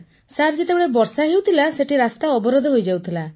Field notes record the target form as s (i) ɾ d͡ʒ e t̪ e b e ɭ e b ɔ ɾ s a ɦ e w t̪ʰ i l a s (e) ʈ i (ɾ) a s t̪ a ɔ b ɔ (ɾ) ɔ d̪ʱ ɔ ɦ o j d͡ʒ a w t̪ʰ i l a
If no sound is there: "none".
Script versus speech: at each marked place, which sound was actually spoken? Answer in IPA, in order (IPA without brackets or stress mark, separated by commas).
a, e, ɾ, ɾ